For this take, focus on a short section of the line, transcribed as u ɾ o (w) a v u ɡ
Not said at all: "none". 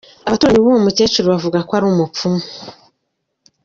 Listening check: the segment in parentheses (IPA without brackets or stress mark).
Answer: β